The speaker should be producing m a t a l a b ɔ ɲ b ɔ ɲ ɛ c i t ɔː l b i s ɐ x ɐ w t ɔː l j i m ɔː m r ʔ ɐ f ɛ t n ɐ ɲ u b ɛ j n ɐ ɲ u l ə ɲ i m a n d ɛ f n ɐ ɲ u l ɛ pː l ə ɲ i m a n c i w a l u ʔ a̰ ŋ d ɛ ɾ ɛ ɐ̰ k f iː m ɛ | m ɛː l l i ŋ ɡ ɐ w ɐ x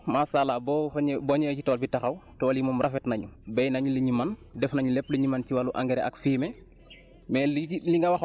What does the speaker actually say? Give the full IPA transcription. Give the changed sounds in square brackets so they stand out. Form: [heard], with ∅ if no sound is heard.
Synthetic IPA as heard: m a [s] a l a b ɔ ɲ b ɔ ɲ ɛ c i t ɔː l b i [t] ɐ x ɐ w t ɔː l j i m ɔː m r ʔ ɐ f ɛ t n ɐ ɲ u b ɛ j n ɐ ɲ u l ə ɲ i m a n d ɛ f n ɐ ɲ u l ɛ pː l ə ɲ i m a n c i w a l u ʔ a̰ ŋ [ɡ] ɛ ɾ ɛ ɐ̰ k f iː m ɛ | m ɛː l l i ŋ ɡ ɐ w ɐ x